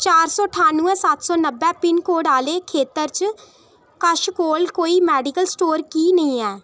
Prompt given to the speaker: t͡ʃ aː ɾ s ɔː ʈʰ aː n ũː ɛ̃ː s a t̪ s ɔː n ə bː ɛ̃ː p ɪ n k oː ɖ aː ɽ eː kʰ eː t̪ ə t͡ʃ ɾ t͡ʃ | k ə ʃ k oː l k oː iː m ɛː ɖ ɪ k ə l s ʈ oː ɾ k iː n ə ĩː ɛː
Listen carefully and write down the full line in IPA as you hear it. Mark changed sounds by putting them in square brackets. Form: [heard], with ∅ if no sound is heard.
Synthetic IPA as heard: t͡ʃ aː ɾ s ɔː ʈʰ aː n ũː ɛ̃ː s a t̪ s ɔː n ə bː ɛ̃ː p ɪ n k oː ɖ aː [l] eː kʰ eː t̪ ə [∅] ɾ t͡ʃ | k ə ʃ k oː l k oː iː m ɛː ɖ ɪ k ə l s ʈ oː ɾ k iː n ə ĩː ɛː